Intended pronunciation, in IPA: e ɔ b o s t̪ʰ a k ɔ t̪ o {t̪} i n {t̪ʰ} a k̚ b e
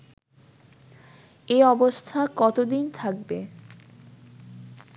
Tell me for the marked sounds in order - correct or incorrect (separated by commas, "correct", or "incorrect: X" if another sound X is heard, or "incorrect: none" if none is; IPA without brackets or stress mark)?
incorrect: d̪, correct